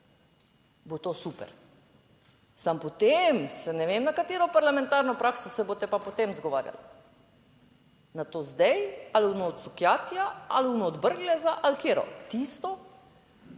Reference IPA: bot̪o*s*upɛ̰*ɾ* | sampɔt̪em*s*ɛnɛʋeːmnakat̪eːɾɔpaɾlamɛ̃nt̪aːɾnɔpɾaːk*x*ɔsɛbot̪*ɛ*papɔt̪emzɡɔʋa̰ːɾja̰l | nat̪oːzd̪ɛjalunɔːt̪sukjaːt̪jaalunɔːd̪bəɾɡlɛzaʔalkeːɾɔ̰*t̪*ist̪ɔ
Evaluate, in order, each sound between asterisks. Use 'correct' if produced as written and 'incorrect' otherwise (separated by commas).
correct, correct, correct, incorrect, correct, correct